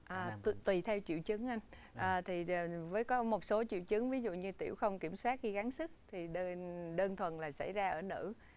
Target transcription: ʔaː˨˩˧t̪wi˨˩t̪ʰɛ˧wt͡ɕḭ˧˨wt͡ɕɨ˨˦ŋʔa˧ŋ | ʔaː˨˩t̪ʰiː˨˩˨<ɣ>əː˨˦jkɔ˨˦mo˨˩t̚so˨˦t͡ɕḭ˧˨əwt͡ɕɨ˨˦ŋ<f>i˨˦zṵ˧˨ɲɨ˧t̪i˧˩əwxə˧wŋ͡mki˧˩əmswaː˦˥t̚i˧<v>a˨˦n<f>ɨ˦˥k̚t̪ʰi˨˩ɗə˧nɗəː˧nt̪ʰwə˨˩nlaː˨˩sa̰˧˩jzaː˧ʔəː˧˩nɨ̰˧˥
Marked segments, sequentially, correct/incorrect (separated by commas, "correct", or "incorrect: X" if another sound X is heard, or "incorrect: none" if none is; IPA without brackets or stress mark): incorrect: v, incorrect: v, incorrect: ɣ, incorrect: s